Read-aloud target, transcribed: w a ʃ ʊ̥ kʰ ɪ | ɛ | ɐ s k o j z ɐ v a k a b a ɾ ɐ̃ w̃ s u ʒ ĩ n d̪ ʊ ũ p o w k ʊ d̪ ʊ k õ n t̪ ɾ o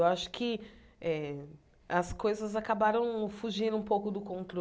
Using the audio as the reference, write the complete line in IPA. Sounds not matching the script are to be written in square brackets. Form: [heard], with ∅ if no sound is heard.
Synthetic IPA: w a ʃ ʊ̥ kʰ ɪ | ɛ | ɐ s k o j z ɐ [z] a k a b a ɾ ɐ̃ w̃ [f] u ʒ ĩ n d̪ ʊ ũ p o w k ʊ d̪ ʊ k õ n t̪ ɾ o